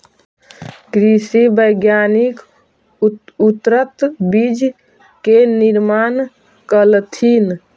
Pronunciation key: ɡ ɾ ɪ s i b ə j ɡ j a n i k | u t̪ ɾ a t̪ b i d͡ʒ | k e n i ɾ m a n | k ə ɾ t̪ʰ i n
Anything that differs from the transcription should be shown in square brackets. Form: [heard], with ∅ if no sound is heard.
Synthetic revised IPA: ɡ ɾ [i] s i b ə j ɡ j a n i k | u t̪ ɾ [ə] t̪ b i d͡ʒ | k e n i ɾ m a n | k ə [l] t̪ʰ i n